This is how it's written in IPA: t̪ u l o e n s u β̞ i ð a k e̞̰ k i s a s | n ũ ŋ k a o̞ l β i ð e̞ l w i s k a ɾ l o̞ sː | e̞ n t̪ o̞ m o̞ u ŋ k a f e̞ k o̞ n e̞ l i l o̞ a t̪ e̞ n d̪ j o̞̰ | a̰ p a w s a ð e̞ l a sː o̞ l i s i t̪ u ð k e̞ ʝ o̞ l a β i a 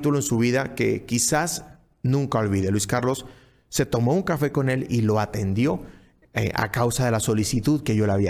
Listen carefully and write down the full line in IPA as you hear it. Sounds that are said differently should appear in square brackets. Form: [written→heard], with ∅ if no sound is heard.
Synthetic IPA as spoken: t̪ u l o e n s u β̞ i ð a k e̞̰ k i s a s | n ũ ŋ k a o̞ l β i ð e̞ l w i s k a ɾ l o̞ sː | e̞ [n→∅] t̪ o̞ m o̞ u ŋ k a f e̞ k o̞ n e̞ l i l o̞ a t̪ e̞ n d̪ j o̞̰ | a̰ [p→k] a w s a ð e̞ l a [sː→s] o̞ l i s i t̪ u ð k e̞ ʝ o̞ l a β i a